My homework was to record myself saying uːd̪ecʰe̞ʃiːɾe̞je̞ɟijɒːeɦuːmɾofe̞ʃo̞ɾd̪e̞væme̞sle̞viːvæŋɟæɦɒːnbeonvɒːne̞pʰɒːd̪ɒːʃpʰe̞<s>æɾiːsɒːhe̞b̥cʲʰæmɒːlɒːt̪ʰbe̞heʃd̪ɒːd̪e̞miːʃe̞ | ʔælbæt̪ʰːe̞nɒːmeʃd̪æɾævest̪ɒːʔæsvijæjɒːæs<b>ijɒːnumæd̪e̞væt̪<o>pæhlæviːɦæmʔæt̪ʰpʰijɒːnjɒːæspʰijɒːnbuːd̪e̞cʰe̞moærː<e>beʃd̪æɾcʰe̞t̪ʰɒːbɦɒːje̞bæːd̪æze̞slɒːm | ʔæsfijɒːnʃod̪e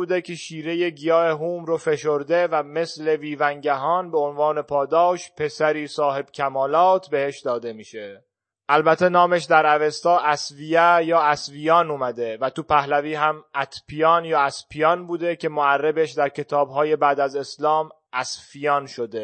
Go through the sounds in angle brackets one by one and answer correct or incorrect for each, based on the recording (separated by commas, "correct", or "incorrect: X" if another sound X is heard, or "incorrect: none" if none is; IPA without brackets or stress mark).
correct, incorrect: v, incorrect: u, correct